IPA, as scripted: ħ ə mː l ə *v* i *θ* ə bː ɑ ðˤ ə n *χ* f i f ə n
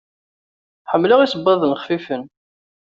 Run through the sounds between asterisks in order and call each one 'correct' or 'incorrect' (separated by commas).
incorrect, incorrect, correct